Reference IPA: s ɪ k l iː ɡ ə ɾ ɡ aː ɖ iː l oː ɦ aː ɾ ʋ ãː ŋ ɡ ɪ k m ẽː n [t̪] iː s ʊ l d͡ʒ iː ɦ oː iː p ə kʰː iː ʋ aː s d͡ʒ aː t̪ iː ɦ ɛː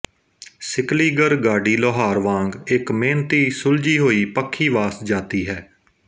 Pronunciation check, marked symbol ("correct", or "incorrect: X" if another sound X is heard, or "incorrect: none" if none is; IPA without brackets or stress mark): correct